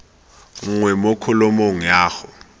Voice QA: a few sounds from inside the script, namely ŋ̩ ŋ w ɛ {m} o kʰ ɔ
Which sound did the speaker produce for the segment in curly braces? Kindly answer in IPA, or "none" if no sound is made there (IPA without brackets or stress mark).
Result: m